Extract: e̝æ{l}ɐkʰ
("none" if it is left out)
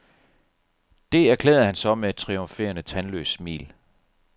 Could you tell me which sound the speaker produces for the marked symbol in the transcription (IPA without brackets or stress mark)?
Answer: none